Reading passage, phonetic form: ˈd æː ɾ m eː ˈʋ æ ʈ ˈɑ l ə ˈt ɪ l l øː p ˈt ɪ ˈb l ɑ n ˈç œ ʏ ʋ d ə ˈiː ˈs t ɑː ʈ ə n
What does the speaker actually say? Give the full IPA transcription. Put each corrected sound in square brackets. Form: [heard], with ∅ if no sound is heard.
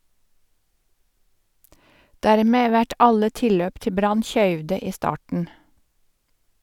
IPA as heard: ˈd æː ɾ m eː ˈʋ æ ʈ ˈɑ l ə ˈt ɪ l l øː p ˈt ɪ ˈb [ɾ] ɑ n ˈç œ ʏ ʋ d ə ˈiː ˈs t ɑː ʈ ə n